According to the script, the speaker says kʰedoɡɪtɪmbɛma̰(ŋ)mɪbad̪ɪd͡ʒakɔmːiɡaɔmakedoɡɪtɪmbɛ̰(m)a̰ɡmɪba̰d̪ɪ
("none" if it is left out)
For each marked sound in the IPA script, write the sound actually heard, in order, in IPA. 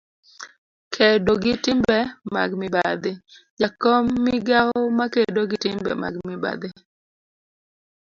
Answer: ɡ, m

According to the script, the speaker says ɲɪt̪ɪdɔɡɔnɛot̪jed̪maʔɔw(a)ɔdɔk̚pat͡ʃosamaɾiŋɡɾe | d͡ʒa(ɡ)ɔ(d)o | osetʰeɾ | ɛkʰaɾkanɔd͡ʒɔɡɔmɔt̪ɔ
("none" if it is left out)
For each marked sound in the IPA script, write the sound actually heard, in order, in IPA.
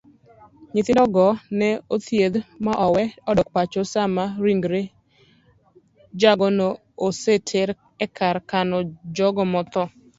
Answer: ɛ, ɡ, n

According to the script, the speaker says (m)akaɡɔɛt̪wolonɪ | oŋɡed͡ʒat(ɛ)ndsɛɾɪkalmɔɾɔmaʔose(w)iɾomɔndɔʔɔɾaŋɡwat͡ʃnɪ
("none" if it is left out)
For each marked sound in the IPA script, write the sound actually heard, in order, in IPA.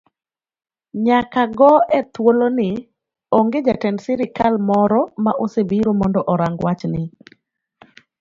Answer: ɲ, ɛ, b

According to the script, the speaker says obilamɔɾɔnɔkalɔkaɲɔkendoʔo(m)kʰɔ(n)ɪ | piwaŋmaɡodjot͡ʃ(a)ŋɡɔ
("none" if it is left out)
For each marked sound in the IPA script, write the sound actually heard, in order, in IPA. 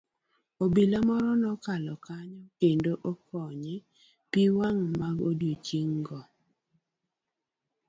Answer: none, ɲ, i

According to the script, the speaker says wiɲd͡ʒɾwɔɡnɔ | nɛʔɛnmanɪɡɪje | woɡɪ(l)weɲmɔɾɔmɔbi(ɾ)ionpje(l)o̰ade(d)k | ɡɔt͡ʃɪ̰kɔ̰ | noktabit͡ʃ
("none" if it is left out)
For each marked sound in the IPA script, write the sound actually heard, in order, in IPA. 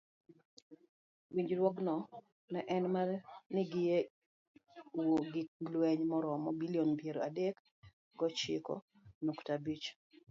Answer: l, l, ɾ, none

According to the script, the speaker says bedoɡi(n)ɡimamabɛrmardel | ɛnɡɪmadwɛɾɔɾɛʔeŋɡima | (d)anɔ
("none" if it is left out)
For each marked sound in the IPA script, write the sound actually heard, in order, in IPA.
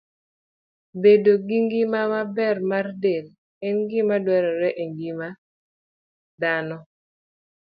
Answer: ŋ, d

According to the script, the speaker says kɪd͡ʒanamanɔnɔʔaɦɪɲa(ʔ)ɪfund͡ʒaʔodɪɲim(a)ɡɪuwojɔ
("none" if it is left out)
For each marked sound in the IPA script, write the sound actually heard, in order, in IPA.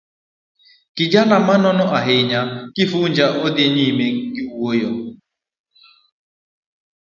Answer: k, e

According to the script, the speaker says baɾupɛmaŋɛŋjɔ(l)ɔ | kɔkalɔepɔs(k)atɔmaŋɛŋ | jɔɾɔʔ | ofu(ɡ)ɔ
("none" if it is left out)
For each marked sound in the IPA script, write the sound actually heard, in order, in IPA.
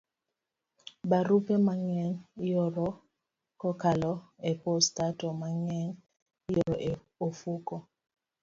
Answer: ɾ, t, k

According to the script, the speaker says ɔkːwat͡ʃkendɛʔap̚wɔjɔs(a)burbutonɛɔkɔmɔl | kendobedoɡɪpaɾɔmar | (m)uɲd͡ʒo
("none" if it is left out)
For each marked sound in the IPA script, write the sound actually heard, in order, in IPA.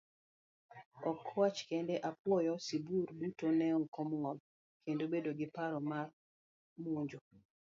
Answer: i, m

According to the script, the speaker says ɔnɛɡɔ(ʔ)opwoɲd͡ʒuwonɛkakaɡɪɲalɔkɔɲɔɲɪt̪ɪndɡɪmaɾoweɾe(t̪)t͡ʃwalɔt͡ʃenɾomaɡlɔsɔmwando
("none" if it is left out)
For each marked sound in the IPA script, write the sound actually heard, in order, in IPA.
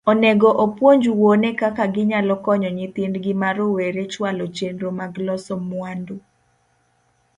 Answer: ʔ, none

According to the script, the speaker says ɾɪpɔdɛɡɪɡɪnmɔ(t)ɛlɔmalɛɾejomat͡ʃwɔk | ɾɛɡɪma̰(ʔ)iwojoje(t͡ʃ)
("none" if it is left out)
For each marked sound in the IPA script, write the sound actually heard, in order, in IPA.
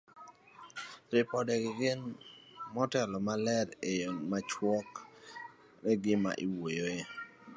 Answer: t, ʔ, none

